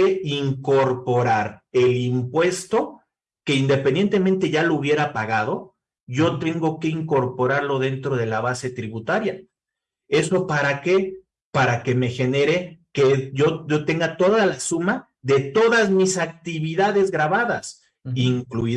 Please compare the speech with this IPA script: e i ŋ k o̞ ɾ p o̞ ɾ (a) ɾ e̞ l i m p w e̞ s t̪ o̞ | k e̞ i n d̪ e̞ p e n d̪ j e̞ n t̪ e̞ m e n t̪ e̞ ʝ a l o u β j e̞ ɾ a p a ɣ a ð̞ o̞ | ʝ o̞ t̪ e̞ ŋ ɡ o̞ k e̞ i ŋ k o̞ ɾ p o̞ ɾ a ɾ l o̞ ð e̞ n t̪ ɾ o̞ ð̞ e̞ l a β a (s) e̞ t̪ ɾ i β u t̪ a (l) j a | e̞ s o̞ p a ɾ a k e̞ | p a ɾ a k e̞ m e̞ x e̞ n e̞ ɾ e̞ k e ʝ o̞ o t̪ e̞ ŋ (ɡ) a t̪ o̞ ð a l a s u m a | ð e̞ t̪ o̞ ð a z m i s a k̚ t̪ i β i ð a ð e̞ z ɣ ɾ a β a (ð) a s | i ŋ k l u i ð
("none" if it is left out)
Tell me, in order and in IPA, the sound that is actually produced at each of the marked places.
a, s, ɾ, ɡ, ð

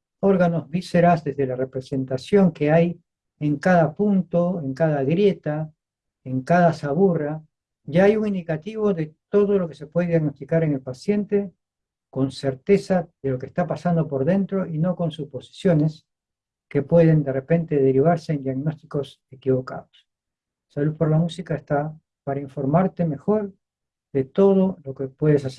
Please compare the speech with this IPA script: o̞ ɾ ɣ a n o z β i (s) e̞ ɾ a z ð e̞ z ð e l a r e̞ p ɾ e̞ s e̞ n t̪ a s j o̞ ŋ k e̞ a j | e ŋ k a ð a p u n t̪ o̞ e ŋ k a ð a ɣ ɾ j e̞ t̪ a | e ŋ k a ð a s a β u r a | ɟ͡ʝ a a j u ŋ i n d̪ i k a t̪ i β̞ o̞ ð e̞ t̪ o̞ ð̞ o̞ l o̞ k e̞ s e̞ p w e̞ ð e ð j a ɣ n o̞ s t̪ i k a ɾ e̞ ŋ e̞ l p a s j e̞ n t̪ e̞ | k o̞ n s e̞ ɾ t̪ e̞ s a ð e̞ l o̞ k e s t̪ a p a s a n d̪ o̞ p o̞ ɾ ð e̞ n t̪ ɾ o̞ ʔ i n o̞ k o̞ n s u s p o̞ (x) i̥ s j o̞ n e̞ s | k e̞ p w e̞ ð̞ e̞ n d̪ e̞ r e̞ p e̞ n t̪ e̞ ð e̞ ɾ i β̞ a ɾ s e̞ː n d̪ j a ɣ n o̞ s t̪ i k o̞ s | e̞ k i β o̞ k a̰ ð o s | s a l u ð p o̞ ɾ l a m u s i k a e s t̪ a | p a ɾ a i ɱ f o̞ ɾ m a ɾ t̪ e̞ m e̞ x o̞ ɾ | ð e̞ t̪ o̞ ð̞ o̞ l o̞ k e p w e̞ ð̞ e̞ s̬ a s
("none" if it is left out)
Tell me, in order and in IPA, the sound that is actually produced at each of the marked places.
s, s

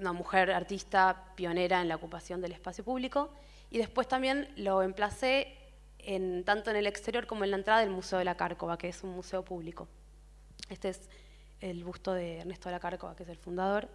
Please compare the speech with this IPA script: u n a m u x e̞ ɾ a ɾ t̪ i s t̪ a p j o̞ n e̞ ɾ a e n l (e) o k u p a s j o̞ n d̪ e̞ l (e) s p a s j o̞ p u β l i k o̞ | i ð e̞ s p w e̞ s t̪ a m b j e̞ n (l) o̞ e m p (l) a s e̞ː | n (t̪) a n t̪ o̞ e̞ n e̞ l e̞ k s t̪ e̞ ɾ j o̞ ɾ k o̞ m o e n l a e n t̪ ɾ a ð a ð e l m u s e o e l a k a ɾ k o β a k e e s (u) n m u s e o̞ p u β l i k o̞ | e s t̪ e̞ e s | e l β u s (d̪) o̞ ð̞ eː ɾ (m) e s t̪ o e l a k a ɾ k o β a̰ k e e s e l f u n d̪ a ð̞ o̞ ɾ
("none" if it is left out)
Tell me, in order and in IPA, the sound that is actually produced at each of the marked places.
a, e, l, l, t̪, u, t̪, n

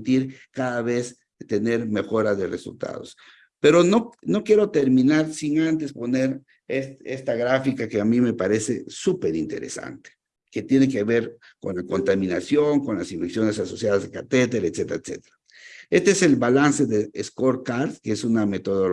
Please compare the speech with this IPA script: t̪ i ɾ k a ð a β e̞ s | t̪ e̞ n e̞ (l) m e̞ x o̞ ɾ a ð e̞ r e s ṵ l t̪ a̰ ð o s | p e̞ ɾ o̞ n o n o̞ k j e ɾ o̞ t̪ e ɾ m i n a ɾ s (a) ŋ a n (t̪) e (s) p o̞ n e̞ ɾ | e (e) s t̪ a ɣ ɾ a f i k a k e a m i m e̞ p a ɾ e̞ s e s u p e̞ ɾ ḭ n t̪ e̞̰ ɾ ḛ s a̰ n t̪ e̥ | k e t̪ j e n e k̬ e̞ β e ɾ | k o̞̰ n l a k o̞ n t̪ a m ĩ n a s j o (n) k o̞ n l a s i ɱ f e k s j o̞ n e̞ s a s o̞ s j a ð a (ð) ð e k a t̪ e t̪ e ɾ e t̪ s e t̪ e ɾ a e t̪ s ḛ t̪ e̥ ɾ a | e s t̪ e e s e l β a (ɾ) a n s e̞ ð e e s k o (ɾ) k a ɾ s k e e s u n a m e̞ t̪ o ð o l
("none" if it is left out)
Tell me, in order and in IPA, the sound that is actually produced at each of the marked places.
ɾ, i, t̪, s, e, ŋ, z, l, ɾ

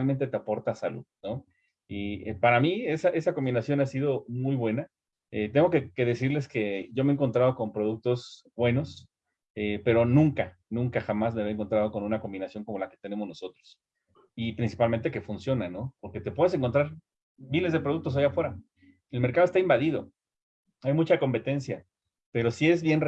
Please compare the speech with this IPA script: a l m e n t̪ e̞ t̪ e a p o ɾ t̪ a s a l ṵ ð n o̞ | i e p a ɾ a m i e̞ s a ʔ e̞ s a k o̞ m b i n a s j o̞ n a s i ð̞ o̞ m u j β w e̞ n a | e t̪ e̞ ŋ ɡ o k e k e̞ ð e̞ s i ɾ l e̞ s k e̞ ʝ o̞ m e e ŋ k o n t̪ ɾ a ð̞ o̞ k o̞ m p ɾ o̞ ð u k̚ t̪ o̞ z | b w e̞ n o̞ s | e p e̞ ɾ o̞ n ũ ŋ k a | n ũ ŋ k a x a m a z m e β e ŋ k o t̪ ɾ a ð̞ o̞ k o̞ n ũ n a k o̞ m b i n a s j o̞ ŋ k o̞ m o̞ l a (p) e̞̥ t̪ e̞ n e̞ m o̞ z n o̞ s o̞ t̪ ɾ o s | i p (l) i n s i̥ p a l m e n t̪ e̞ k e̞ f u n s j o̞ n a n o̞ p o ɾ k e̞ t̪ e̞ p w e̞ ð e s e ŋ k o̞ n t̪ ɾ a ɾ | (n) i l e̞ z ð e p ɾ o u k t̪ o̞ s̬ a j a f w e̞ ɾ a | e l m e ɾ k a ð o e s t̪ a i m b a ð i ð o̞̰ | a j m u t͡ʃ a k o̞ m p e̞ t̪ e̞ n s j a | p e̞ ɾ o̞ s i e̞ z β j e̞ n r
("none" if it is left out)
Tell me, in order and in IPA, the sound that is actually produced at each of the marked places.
k, ɾ, m

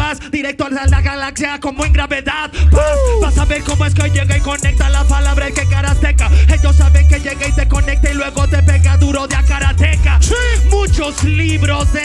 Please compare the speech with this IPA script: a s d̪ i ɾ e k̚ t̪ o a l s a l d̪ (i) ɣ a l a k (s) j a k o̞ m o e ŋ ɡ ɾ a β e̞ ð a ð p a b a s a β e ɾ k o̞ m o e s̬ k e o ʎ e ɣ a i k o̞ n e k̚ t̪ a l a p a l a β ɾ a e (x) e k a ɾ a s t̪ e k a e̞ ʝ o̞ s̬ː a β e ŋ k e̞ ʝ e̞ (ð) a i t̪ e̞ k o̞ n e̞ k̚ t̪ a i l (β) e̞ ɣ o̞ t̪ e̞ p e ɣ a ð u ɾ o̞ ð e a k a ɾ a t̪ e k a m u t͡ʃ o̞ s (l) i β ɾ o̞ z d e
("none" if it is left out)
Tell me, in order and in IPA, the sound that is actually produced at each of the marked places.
a, s, k, ɣ, w, l

